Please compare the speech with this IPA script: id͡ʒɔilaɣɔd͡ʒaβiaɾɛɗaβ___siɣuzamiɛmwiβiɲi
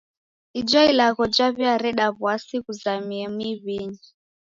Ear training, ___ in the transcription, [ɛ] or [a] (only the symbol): a